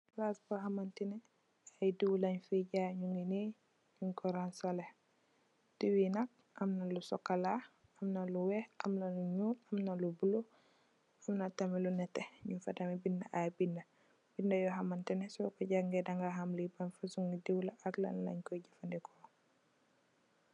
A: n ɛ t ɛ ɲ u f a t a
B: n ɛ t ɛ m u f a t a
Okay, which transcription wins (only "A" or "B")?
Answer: A